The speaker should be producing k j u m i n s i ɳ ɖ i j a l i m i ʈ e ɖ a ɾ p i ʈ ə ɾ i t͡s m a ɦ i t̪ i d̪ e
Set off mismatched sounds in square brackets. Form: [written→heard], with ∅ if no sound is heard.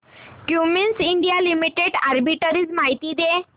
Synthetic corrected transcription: k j u m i n s i ɳ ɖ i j a l i m i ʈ e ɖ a ɾ [p→b] i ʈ ə ɾ i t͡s m a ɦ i t̪ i d̪ e